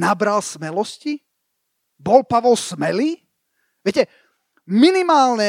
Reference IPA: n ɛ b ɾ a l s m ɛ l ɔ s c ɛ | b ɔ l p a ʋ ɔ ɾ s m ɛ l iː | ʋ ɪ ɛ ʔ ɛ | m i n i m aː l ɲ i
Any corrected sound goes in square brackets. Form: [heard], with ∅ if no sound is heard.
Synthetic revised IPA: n [a] b ɾ a l s m ɛ l ɔ s c [i] | b ɔ l p a ʋ ɔ [l] s m ɛ l iː | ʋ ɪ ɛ [c] ɛ | m i n i m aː l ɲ [ɛ]